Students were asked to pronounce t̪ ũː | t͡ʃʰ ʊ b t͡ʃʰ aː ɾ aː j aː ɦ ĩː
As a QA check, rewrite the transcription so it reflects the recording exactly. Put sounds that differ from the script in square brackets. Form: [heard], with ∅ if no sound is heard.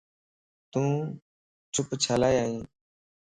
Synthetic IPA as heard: t̪ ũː | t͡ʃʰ ʊ [p] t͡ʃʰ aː [l] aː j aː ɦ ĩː